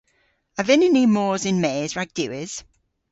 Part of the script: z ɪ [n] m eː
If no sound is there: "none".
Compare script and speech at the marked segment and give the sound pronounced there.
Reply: n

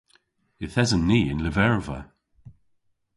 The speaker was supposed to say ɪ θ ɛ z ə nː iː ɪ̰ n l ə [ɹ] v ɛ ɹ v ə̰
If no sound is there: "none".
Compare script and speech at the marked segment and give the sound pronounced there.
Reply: none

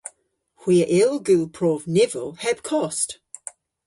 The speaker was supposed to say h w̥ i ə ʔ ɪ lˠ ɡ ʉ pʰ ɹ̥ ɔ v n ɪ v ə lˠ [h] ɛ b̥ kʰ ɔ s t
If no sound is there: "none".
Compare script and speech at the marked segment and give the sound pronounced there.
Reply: h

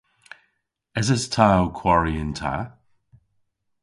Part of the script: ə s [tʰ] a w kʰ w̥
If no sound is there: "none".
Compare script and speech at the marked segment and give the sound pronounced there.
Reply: tʰ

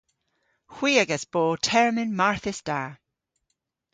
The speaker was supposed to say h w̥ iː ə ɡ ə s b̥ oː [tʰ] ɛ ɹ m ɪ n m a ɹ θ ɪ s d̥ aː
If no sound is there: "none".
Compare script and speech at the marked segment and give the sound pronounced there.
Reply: tʰ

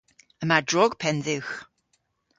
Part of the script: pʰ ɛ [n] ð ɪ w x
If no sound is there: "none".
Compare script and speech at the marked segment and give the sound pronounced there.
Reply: n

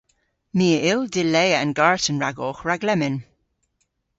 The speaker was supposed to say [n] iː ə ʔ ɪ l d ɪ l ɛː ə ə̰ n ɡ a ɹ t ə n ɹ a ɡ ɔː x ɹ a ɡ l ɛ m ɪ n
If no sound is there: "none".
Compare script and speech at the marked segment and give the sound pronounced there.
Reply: m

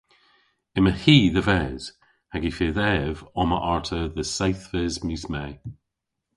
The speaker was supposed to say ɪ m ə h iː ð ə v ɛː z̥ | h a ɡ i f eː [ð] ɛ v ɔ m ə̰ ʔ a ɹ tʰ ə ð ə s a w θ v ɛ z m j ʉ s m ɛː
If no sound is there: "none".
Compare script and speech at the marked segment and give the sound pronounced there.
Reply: ð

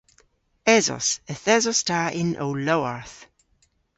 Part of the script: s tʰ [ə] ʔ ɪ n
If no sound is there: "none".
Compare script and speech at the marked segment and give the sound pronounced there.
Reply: a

